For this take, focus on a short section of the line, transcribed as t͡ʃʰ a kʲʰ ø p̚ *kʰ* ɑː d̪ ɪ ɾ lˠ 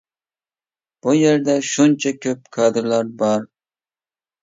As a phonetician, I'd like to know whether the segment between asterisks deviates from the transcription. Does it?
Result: no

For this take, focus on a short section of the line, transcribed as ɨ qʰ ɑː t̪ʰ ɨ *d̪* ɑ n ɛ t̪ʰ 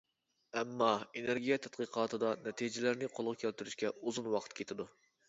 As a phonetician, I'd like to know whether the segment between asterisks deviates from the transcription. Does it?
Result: no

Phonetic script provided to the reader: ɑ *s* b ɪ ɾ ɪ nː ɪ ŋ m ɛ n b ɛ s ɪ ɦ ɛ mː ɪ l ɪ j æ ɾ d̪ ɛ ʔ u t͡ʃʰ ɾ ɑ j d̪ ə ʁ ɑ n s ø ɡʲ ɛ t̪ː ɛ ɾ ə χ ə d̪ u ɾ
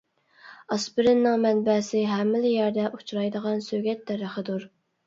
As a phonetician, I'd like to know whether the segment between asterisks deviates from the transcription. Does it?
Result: no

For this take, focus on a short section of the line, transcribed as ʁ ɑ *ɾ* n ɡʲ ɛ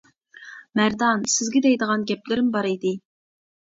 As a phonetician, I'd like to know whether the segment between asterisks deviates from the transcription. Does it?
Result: yes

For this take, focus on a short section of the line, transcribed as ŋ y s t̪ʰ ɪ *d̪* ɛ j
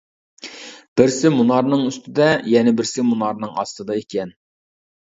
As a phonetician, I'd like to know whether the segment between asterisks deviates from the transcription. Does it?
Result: no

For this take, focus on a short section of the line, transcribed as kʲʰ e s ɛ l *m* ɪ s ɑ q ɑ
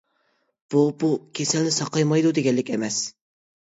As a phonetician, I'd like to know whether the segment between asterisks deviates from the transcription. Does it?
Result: yes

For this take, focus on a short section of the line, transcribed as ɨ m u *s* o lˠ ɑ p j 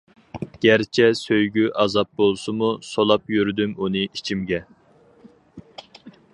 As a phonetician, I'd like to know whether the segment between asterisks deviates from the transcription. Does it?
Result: no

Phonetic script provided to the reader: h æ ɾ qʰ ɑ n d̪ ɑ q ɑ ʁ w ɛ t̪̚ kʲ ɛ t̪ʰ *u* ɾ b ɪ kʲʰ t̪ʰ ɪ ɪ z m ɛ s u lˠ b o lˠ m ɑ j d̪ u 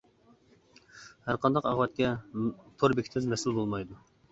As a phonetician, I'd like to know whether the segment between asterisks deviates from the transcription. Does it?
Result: yes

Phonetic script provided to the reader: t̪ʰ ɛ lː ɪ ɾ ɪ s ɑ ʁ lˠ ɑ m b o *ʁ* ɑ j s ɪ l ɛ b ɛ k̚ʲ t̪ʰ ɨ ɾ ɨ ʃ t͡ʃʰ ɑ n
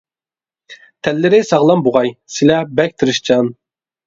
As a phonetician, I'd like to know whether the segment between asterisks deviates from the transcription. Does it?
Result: no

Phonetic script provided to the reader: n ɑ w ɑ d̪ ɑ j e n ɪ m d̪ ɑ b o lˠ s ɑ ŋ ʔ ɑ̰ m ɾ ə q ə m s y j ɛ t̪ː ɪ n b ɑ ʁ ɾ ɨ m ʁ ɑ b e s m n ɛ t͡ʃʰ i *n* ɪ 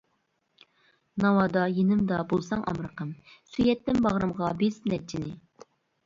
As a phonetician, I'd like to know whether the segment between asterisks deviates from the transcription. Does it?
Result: no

